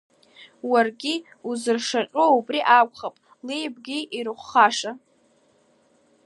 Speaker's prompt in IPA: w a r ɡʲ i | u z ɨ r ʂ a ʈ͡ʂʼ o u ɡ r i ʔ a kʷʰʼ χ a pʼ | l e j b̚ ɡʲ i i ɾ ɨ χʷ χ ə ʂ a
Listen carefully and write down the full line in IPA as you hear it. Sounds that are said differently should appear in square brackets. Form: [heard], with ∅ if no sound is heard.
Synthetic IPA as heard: w a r ɡʲ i | u z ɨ r ʂ a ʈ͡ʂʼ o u [b] r i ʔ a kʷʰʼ χ a pʼ | l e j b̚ ɡʲ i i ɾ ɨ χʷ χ [a] ʂ a